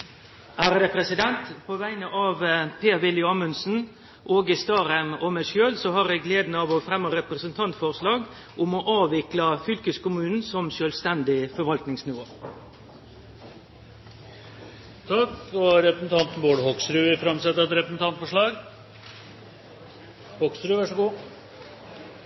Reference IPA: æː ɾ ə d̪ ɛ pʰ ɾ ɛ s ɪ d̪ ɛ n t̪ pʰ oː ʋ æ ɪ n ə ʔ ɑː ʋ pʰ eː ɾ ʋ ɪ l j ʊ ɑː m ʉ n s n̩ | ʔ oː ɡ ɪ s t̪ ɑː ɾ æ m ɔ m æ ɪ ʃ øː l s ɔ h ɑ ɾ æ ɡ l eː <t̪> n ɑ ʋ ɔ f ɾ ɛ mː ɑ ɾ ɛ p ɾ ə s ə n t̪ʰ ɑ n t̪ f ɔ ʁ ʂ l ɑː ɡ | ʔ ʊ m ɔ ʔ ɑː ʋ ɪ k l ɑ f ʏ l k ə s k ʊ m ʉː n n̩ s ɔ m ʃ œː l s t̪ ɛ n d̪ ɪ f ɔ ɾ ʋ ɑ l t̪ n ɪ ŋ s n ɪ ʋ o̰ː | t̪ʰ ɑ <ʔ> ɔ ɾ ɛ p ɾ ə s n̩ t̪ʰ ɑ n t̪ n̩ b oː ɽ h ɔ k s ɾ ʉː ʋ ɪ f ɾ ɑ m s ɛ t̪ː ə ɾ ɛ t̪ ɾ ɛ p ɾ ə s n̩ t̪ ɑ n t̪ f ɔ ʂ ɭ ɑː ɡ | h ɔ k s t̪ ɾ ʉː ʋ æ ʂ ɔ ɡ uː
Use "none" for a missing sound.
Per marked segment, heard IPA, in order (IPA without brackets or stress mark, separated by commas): d̪, k